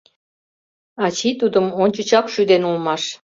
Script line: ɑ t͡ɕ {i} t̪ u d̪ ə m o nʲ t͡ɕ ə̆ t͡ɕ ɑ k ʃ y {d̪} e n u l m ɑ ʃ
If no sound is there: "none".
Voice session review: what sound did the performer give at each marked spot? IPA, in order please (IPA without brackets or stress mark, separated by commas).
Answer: i, d̪